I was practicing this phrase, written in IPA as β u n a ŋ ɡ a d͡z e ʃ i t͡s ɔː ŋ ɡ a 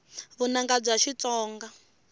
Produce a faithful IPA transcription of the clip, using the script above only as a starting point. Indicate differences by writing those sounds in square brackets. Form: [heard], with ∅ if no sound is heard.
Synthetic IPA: β u n a ŋ ɡ a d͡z [a] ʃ i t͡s ɔː ŋ ɡ a

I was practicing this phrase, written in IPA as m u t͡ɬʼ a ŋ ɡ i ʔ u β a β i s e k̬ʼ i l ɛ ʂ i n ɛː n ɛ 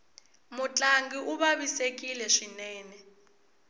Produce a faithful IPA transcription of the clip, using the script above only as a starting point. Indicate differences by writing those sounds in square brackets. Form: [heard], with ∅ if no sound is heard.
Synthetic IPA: m u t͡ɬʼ a ŋ ɡ i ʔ u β a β i s e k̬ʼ i l ɛ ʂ i n ɛː n ɛ

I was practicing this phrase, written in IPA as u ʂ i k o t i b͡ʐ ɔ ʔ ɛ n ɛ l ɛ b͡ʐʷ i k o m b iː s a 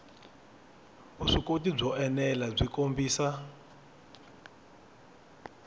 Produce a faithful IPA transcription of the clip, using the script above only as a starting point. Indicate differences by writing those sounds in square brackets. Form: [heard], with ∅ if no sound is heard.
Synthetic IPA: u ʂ i k o t i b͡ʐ ɔ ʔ ɛ n ɛ l [a] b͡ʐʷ i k o m b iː s a

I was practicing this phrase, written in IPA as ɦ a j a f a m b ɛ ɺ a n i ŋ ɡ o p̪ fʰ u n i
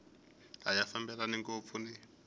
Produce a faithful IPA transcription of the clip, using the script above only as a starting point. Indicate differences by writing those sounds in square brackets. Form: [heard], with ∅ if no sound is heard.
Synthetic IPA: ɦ a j a f a m b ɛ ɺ a n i ŋ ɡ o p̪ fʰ u n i

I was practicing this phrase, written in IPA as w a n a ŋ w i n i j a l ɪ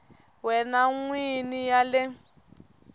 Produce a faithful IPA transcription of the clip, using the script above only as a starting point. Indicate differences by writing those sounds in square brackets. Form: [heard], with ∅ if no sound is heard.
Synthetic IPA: w [ɛ] n a ŋ w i n i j a l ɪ

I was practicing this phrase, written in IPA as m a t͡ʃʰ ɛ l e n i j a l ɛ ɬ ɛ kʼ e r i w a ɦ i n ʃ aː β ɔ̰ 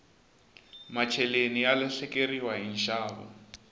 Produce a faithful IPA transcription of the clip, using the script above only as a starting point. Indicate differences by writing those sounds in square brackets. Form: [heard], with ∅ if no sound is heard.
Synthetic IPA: m a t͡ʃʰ ɛ l e n i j a l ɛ ɬ ɛ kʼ e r i w a ɦ i n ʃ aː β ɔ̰

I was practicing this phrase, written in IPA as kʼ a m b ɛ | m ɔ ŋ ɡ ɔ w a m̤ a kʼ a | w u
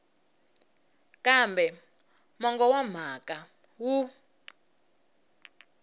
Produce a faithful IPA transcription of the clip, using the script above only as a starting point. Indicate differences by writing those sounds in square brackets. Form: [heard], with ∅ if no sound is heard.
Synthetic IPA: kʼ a m b ɛ | m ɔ ŋ ɡ ɔ w a m̤ a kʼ a | w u

